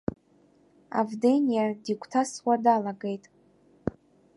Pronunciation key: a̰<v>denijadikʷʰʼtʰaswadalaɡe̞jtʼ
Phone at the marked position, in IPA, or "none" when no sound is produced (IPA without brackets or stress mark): v